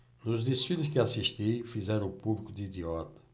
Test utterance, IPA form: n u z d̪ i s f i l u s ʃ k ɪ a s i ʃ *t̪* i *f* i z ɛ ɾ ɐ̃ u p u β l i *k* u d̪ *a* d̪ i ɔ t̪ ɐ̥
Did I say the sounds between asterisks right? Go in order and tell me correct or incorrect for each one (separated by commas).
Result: correct, correct, correct, incorrect